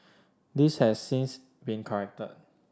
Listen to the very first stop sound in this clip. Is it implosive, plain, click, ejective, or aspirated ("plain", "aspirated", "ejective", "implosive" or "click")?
plain